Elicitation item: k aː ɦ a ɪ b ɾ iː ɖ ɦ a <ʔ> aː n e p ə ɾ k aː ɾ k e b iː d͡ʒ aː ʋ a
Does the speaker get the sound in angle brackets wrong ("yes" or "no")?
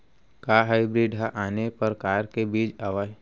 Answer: no